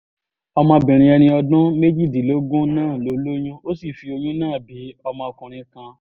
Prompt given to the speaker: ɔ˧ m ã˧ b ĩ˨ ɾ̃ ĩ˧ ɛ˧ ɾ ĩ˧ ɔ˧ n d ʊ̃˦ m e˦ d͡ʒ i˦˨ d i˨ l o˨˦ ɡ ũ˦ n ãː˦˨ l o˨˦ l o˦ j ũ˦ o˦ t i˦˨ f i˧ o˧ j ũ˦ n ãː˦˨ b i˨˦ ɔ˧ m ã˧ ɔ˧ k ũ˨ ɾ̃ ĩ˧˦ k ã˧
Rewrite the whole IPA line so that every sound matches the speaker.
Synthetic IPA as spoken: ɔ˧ m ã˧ b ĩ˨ ɾ̃ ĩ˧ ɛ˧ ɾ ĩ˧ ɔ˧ d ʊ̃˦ m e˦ d͡ʒ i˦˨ d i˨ l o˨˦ ɡ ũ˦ n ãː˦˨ l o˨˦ l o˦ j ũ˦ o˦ s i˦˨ f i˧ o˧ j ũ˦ n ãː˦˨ b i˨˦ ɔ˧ m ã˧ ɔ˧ k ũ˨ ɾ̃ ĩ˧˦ k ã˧